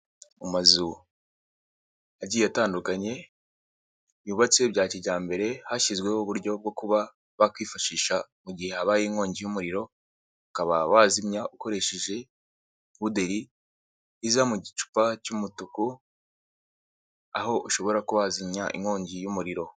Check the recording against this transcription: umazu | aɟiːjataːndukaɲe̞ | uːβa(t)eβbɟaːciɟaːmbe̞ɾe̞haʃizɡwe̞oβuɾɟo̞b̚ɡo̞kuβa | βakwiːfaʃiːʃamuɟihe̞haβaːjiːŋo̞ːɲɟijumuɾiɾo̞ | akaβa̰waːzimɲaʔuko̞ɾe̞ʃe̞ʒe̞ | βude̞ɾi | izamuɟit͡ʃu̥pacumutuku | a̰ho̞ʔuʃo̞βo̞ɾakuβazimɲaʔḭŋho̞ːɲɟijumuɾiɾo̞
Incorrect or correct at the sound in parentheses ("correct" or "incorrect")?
incorrect